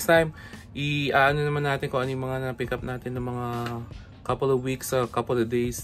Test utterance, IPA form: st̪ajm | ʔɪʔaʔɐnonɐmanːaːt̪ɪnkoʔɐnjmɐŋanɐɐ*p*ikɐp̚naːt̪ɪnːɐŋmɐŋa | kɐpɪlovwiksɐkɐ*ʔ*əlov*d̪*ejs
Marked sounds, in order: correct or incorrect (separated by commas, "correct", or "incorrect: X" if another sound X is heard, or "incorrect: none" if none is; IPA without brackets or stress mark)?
correct, incorrect: p, correct